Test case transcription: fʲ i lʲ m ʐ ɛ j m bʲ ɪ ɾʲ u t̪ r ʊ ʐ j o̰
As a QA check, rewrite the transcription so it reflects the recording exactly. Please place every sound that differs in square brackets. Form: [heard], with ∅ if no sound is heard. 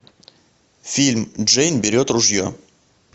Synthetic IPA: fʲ i lʲ m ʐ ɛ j [n] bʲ ɪ ɾʲ [o] t̪ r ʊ ʐ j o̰